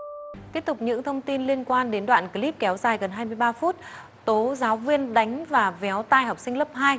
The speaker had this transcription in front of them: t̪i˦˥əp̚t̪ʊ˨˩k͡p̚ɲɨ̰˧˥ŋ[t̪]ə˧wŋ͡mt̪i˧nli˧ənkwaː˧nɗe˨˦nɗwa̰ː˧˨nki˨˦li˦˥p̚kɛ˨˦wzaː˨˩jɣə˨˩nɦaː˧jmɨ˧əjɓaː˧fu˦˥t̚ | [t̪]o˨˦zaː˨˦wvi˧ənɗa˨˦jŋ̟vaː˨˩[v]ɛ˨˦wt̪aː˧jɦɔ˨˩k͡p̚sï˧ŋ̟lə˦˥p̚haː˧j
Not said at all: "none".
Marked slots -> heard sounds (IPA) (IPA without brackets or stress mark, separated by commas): t̪ʰ, t̪, v